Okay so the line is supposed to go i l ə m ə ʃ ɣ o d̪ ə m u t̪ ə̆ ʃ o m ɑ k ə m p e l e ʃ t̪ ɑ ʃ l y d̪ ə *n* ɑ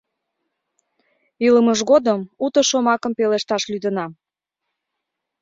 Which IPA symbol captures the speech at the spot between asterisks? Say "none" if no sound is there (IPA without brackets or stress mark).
n